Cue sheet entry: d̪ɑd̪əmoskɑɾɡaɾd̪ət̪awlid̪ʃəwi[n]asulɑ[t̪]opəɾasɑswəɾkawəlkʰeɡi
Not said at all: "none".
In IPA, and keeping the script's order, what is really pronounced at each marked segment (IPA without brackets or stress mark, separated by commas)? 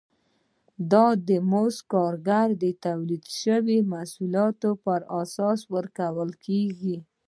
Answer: m, t̪